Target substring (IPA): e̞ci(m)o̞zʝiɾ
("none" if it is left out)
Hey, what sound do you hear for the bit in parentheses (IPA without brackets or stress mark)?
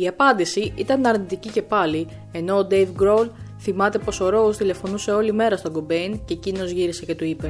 n